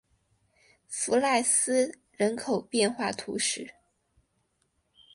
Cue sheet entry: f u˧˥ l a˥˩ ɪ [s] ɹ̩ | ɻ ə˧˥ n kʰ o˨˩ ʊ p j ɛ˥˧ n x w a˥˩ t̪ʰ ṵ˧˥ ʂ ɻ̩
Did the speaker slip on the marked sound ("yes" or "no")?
no